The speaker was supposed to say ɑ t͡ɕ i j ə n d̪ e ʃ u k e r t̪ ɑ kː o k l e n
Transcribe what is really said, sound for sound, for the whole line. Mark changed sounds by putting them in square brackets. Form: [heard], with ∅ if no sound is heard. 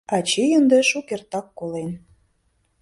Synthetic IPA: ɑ t͡ɕ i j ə n d̪ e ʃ u k e r t̪ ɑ kː o [∅] l e n